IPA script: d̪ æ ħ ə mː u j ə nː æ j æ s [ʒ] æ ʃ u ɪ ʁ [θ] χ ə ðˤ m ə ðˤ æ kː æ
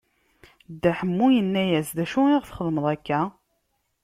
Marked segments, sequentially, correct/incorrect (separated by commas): incorrect, correct